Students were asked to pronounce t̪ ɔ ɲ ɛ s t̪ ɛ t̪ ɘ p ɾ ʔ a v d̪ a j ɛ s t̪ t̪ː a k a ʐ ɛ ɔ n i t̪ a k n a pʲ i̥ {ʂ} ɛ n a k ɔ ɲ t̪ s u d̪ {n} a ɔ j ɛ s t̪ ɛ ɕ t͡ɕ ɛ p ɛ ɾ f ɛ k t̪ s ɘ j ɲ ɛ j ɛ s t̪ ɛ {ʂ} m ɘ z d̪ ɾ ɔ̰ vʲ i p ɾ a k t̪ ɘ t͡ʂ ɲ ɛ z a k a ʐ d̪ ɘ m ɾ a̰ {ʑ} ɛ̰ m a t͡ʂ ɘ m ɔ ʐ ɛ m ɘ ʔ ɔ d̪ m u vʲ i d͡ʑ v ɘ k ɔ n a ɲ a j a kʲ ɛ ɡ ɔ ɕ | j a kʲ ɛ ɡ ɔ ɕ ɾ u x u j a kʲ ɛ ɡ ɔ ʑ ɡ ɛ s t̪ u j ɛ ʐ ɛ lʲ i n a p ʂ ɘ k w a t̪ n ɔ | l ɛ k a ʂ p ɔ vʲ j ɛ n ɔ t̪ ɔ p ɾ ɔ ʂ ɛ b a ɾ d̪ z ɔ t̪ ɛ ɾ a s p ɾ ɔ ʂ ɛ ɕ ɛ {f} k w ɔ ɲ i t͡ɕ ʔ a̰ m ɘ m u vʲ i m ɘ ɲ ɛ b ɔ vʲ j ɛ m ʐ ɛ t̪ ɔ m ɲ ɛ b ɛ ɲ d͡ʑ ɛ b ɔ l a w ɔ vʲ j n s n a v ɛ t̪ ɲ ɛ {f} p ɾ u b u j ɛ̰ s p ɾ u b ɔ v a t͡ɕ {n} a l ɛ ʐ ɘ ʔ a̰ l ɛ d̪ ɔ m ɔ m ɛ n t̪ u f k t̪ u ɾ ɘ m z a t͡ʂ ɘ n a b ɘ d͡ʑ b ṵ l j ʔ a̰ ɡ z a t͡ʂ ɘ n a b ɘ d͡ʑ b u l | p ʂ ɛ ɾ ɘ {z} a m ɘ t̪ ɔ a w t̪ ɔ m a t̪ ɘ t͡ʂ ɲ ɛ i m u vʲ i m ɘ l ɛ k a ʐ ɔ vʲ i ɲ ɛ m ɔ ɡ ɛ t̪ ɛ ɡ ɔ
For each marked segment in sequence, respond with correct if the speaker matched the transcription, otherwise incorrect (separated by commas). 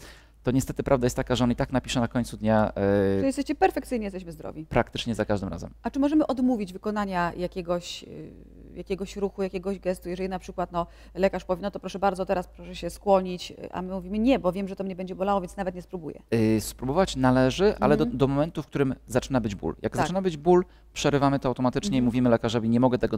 correct, incorrect, incorrect, incorrect, incorrect, incorrect, correct, incorrect